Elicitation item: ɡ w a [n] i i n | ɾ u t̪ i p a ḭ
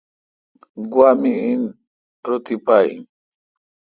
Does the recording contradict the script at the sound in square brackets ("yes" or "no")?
yes